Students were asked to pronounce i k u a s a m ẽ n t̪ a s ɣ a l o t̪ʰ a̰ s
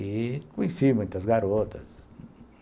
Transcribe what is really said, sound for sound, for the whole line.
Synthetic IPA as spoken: i k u i s i m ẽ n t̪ a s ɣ a ɾ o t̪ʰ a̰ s